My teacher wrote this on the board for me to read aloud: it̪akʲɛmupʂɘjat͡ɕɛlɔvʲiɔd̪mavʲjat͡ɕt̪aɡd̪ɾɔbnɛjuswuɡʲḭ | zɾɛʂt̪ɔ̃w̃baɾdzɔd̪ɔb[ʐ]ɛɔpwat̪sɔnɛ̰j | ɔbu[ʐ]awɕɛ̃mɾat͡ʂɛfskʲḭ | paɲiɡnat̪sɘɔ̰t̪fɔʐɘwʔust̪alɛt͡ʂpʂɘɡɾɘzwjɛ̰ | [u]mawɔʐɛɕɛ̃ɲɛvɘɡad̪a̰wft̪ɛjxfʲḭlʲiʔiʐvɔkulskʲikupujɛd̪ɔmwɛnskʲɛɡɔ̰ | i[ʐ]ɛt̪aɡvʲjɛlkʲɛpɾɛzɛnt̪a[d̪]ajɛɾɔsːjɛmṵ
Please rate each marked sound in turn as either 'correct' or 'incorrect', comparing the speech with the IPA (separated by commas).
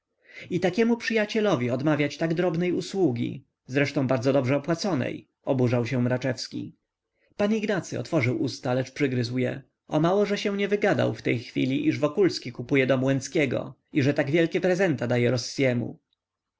correct, correct, incorrect, correct, correct